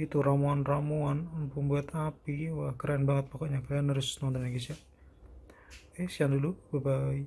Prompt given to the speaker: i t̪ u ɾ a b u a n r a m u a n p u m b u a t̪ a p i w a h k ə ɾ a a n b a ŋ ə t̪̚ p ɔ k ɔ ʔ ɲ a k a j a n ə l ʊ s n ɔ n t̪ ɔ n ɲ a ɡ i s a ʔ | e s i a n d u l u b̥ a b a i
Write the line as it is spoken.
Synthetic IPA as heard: i t̪ u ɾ a m u a n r a m u a n p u m b u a t̪ a p i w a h k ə ɾ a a n b a ŋ ə t̪̚ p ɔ k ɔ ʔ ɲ a k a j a n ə ɾ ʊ s n ɔ n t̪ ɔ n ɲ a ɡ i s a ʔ | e s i a n d u l u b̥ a b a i